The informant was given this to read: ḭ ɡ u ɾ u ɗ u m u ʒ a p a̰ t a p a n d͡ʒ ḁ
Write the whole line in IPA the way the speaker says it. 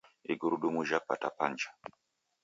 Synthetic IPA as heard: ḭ ɡ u ɾ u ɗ u m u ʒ a p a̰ t a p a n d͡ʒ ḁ

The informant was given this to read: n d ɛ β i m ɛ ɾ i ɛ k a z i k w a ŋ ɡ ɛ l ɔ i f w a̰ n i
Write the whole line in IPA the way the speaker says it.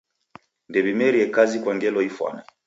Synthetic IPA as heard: n d ɛ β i m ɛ ɾ i ɛ k a z i k w a ŋ ɡ ɛ l ɔ i f w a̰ n a

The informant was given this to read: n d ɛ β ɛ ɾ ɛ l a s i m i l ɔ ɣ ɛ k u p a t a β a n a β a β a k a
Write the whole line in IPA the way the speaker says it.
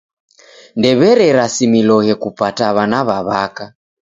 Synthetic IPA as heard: n d ɛ β ɛ ɾ ɛ ɾ a s i m i l ɔ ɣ ɛ k u p a t a β a n a β a β a k a

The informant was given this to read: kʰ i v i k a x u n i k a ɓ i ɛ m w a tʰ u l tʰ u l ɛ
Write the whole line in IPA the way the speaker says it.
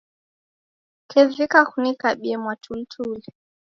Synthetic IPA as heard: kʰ ɛ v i k a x u n i k a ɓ i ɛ m w a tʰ u l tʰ u l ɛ

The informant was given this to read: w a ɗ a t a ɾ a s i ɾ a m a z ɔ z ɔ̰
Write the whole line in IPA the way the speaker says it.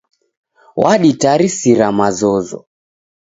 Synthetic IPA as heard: w a ɗ i t a ɾ i s i ɾ a m a z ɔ z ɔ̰

